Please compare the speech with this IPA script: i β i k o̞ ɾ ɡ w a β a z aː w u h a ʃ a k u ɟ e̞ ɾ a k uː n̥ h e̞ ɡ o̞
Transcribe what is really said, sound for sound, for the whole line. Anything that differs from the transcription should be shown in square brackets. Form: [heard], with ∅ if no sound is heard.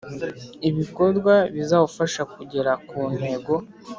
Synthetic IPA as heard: i β i k o̞ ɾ ɡ w a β [i] z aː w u [f] a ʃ a k u ɟ e̞ ɾ a k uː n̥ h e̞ ɡ o̞